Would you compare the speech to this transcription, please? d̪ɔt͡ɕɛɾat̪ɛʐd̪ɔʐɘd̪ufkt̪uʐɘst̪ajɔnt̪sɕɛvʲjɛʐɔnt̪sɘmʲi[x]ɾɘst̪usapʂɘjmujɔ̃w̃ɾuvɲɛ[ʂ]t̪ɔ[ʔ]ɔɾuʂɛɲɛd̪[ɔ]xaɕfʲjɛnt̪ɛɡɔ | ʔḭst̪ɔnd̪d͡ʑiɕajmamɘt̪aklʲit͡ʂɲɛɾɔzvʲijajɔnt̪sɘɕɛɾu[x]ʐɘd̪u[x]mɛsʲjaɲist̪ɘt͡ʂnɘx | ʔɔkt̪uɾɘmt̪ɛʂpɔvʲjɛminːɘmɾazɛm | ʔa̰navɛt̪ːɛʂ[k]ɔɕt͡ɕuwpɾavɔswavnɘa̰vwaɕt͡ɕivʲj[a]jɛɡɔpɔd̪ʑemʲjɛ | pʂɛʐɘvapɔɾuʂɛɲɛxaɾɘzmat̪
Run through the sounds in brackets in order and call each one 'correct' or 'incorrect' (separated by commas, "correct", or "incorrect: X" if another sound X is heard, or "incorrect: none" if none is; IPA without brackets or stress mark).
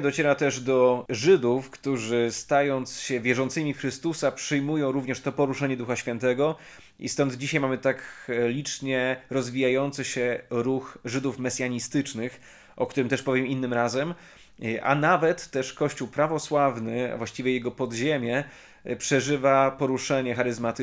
correct, correct, incorrect: p, incorrect: u, correct, incorrect: f, correct, incorrect: ɛ